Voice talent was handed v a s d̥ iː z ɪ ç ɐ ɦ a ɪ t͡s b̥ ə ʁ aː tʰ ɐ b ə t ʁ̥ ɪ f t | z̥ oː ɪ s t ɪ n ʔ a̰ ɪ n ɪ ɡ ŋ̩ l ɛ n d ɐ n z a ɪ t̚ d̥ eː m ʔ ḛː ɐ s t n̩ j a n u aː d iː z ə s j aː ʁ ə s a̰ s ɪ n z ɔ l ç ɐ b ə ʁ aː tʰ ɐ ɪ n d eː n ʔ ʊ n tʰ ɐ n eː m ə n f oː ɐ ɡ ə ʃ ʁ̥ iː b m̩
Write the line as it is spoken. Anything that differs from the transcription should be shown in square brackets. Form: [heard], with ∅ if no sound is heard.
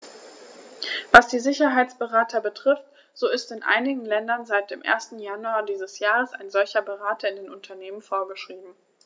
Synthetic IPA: v a s d̥ iː z ɪ ç ɐ ɦ a ɪ t͡s b̥ ə ʁ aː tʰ ɐ b ə t ʁ̥ ɪ f t | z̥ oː ɪ s t ɪ n ʔ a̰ ɪ n ɪ ɡ ŋ̩ l ɛ n d ɐ n z a ɪ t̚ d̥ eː m ʔ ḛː ɐ s t n̩ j a n u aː d iː z ə s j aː ʁ ə s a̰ [∅] ɪ n z ɔ l ç ɐ b ə ʁ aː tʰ ɐ ɪ n d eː n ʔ ʊ n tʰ ɐ n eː m ə n f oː ɐ ɡ ə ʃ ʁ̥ iː b m̩